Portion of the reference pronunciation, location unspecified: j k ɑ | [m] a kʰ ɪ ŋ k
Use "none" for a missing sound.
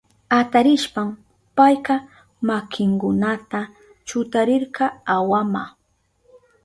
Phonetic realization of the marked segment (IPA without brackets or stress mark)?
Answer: m